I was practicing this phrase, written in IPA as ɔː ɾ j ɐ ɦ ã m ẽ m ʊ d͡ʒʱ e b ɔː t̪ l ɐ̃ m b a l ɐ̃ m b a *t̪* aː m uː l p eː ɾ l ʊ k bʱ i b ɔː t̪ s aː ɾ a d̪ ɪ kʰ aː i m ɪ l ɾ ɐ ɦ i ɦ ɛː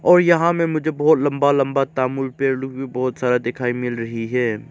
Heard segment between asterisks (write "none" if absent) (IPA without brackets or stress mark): t̪